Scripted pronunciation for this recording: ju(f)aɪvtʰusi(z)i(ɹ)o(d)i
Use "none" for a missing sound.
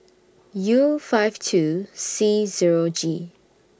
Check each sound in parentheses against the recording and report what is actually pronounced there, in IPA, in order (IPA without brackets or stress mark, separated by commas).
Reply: f, z, ɹ, d͡ʒ